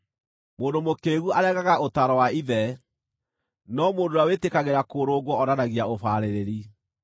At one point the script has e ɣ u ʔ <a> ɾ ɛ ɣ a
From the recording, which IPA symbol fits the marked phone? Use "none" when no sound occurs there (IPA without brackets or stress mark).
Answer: a